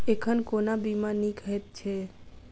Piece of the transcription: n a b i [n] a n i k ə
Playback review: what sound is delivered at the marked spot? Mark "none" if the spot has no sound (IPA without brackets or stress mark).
m